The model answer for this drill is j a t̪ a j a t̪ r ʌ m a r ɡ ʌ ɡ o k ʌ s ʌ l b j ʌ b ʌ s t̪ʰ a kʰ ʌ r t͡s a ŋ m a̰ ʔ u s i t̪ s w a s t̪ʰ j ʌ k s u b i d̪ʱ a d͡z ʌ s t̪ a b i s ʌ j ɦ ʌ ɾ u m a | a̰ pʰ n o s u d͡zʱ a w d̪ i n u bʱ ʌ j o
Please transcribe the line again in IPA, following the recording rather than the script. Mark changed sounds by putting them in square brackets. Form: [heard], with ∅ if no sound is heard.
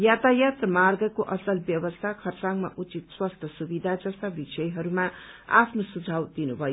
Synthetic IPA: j a t̪ a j a t̪ r ʌ m a r ɡ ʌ [k] o [ʔ] ʌ s ʌ l b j ʌ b ʌ s t̪ʰ a kʰ ʌ r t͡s a ŋ m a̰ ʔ u [t͡s] i t̪ s w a s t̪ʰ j ʌ [∅] s u b i d̪ʱ a d͡z ʌ s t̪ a b i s ʌ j ɦ ʌ ɾ u m a | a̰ pʰ n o s u d͡zʱ a w d̪ i n u bʱ ʌ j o